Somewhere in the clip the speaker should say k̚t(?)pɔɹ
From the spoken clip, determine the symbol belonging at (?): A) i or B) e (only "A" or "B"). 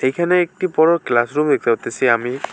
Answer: A